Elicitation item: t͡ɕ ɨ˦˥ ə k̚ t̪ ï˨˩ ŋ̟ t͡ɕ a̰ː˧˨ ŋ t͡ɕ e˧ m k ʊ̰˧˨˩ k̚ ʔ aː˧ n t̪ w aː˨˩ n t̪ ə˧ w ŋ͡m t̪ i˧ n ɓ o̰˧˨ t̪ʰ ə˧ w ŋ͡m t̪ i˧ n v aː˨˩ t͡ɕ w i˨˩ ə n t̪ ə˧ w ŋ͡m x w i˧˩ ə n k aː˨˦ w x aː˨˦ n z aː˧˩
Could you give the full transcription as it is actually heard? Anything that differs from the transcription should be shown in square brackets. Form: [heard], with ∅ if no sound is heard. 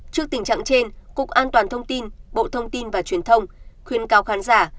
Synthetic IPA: t͡ɕ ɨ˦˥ ə k̚ t̪ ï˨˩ ŋ̟ t͡ɕ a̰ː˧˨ ŋ t͡ɕ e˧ [n] k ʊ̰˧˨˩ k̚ ʔ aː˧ n t̪ w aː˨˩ n [t̪ʰ] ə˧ w ŋ͡m t̪ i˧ n ɓ o̰˧˨ t̪ʰ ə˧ w ŋ͡m t̪ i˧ n v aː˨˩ t͡ɕ w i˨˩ ə n [t̪ʰ] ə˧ w ŋ͡m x w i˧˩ ə n k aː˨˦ w x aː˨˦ n z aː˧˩